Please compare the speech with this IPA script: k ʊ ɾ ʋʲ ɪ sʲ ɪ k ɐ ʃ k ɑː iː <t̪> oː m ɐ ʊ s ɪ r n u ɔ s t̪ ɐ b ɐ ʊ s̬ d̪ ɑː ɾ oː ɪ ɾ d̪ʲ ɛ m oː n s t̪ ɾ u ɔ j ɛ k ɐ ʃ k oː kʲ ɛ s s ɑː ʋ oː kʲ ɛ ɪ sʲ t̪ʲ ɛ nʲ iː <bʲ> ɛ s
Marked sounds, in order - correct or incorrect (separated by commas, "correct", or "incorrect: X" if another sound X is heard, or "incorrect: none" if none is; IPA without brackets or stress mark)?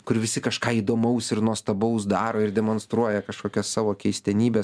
incorrect: d̪, correct